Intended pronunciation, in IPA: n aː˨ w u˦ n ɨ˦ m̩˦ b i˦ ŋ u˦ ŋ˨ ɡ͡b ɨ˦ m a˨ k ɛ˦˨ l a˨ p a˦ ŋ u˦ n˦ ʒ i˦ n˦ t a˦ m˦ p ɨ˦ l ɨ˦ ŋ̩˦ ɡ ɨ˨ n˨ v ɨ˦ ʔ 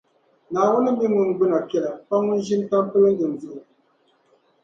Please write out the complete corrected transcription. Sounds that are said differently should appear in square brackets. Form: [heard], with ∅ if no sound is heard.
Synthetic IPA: n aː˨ w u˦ n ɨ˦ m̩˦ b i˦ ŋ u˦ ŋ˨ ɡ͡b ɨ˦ [n] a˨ k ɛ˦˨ l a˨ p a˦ ŋ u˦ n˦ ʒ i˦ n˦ t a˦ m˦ p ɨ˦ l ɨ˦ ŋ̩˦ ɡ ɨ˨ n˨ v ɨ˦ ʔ